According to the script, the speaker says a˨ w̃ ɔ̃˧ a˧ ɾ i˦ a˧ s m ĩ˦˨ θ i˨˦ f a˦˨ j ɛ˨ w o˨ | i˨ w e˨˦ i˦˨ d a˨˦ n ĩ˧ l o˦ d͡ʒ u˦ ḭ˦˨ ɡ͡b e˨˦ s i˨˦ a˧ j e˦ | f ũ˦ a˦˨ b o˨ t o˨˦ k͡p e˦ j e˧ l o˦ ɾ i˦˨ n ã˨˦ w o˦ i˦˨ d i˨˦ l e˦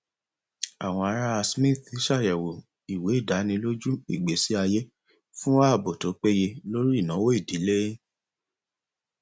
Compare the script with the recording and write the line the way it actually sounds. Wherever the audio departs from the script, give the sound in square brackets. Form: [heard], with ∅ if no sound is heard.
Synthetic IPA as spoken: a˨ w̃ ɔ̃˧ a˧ ɾ [a˦] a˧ s m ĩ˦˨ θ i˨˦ [ʃ] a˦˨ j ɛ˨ w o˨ | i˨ w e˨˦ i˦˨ d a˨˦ n ĩ˧ l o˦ d͡ʒ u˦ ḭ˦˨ ɡ͡b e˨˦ s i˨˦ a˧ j e˦ | f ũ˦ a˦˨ b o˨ t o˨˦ k͡p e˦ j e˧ l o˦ ɾ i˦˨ n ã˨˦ w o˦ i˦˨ d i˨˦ l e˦